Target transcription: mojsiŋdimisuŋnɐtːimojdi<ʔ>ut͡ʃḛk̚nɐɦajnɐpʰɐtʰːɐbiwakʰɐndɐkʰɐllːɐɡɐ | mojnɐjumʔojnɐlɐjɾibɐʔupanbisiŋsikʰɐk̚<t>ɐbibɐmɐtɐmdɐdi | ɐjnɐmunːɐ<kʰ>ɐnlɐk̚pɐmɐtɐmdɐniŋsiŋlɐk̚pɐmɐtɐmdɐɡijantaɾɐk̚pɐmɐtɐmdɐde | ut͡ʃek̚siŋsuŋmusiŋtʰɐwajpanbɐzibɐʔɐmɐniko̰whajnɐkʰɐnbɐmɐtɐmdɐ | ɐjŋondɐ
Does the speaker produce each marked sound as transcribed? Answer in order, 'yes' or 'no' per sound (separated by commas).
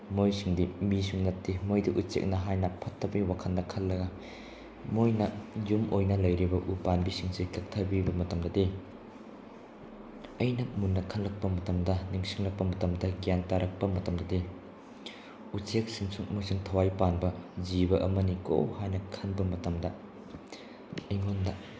yes, no, yes